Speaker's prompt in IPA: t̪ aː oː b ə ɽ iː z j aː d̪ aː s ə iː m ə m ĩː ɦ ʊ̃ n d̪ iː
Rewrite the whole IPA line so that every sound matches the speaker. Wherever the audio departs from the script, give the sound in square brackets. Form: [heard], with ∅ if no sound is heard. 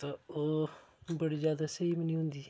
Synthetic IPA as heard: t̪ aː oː b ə ɽ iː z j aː d̪ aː s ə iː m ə [n] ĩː ɦ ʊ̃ n d̪ iː

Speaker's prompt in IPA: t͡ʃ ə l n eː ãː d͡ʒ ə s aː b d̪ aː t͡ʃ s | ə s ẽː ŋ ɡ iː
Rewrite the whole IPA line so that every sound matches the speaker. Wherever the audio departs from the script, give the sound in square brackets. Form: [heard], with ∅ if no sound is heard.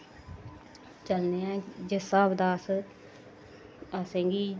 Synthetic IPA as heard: t͡ʃ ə l n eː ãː d͡ʒ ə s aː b d̪ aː [∅] s | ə s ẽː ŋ ɡ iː

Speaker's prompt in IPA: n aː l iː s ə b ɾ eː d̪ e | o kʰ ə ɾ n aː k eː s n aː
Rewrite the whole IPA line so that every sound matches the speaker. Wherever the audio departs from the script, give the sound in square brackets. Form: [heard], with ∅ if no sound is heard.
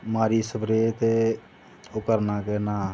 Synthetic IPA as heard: [m] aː [ɾ] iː s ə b ɾ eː [t̪] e | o [k] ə ɾ n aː k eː [∅] n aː

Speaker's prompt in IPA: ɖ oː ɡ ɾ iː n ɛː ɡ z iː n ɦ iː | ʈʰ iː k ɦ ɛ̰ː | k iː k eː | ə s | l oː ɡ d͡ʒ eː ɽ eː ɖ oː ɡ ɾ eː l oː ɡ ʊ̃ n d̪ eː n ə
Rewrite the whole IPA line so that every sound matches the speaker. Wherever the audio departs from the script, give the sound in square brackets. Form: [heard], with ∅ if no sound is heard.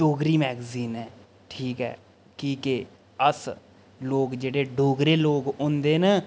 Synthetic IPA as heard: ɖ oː ɡ ɾ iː [m] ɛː ɡ z iː n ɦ [ɛː] | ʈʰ iː k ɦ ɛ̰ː | k iː k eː | ə s | l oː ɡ d͡ʒ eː ɽ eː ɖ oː ɡ ɾ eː l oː ɡ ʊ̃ n d̪ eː n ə

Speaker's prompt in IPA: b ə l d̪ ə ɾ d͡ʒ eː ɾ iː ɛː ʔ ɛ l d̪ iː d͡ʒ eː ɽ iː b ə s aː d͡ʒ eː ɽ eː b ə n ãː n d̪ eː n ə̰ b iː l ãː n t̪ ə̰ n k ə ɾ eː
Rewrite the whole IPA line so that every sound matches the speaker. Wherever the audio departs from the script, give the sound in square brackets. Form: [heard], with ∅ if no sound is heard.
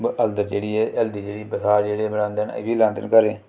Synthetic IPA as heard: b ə l d̪ ə ɾ d͡ʒ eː [ɽ] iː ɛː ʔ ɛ l d̪ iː d͡ʒ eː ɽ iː b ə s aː d͡ʒ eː ɽ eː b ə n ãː n d̪ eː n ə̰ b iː l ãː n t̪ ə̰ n k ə ɾ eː

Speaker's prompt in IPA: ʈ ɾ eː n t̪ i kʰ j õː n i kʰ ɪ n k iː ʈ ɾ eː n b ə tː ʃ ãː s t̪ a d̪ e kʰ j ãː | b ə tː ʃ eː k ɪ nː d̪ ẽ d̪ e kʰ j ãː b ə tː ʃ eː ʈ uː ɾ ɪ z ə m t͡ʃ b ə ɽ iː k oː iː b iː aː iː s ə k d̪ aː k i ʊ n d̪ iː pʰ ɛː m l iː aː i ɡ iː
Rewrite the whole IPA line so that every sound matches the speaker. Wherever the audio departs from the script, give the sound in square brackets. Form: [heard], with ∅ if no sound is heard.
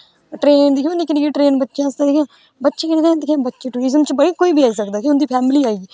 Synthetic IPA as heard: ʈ ɾ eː n [d̪] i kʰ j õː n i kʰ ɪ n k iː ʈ ɾ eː n b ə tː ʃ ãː s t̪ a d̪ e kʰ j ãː | b ə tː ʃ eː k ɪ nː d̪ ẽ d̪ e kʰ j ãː b ə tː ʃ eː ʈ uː ɾ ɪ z ə m t͡ʃ b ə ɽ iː k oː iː b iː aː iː s ə k d̪ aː k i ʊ n d̪ iː pʰ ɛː m l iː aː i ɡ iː

